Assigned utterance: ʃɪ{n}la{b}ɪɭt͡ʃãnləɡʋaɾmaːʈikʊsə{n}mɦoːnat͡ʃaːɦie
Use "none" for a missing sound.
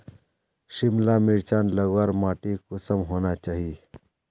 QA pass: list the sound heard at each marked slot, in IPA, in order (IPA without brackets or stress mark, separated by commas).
m, m, none